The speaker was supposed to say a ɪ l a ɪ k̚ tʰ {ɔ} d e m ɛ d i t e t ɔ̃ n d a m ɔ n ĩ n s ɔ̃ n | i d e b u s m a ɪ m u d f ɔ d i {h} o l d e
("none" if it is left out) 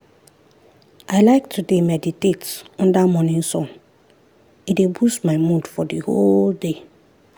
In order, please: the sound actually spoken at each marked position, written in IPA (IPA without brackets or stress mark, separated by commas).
u, h